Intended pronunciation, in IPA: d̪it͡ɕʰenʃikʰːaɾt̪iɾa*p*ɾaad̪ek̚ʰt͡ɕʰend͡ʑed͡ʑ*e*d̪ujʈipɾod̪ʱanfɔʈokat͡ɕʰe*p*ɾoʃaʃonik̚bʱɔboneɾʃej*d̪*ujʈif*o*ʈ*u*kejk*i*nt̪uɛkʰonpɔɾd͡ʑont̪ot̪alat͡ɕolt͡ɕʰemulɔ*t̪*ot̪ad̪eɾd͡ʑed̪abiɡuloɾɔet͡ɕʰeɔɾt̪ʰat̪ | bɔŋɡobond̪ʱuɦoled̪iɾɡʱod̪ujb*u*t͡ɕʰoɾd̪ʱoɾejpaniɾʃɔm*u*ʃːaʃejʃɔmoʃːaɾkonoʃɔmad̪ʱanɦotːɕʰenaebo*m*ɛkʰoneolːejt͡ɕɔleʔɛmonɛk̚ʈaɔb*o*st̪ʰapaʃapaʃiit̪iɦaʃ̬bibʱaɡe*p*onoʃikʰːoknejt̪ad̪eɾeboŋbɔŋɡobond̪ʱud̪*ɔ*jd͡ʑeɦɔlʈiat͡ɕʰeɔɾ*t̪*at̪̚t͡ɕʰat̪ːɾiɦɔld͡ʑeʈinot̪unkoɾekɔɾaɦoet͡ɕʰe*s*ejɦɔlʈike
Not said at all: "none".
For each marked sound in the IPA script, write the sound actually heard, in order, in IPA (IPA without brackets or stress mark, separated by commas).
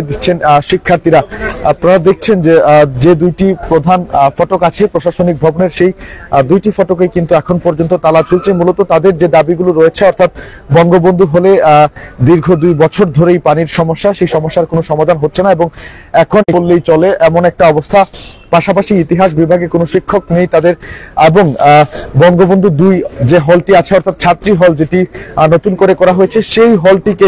p, e, p, d̪, ɔ, o, i, t̪, ɔ, o, ŋ, o, k, u, t̪ʰ, ʃ